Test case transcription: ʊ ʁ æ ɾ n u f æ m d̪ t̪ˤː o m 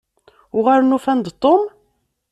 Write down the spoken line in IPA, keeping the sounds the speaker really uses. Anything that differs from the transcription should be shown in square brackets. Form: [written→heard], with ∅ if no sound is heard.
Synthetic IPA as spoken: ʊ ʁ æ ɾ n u f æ [m→n] d̪ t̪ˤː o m